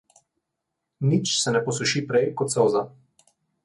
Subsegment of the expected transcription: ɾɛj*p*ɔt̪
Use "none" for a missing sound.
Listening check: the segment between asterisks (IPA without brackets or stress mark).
k